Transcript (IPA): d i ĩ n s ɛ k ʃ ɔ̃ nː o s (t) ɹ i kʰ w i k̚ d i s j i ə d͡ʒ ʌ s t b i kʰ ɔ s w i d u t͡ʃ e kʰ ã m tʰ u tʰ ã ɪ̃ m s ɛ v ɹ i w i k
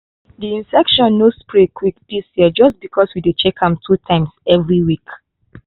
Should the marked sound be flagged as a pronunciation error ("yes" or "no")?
yes